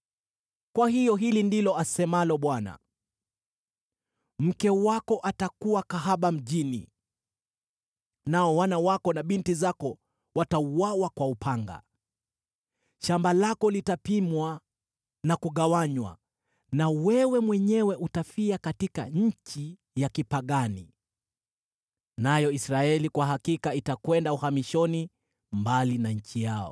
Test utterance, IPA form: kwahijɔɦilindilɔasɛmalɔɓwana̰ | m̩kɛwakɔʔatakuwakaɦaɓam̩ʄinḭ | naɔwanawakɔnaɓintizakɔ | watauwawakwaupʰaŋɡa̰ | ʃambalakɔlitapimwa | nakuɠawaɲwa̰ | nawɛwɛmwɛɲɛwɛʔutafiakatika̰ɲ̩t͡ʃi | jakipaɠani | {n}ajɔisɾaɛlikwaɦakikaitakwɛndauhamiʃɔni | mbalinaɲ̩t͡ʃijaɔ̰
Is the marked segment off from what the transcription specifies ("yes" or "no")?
no